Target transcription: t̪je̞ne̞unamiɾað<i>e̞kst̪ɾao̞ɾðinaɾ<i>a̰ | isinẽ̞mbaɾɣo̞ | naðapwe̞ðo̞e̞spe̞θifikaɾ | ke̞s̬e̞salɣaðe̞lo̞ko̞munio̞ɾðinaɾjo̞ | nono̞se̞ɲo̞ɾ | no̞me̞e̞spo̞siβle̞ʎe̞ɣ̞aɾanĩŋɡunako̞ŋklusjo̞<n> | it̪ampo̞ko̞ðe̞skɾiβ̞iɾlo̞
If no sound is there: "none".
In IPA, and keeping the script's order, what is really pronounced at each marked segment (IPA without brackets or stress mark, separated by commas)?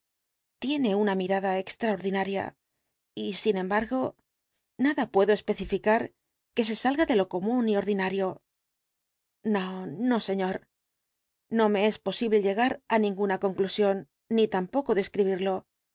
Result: a, j, nː